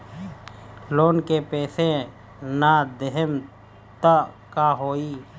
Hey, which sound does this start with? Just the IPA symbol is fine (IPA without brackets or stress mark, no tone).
l